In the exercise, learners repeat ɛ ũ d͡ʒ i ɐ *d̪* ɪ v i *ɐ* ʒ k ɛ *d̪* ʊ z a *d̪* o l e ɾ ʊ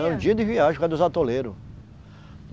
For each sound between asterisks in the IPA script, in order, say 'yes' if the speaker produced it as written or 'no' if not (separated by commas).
yes, no, yes, no